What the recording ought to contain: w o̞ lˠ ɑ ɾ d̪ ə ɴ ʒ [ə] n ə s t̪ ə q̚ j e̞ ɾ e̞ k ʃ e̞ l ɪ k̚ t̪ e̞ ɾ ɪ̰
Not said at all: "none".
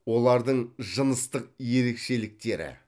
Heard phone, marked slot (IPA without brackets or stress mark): ə